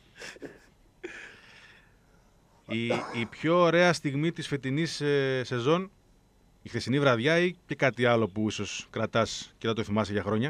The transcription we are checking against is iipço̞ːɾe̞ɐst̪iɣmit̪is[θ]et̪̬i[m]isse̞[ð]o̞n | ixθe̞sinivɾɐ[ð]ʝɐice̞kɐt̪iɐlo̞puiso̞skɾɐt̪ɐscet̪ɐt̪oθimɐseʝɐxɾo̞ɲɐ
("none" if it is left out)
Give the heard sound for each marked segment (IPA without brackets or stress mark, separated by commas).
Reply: f, n, z, ð